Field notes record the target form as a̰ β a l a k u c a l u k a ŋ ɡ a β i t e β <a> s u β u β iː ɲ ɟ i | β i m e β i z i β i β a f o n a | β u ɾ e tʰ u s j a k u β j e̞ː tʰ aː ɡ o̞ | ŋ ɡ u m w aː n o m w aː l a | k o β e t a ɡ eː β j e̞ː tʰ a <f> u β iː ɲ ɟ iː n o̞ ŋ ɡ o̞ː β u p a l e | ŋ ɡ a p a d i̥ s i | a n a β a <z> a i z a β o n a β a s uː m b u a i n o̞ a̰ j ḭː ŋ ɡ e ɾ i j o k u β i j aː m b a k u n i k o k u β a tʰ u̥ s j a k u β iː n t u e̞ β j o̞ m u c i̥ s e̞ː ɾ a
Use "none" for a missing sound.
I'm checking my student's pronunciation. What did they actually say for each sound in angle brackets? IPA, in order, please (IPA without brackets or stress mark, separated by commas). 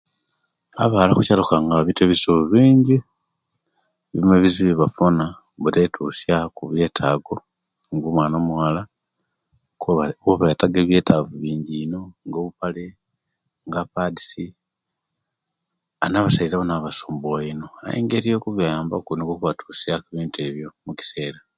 i, v, s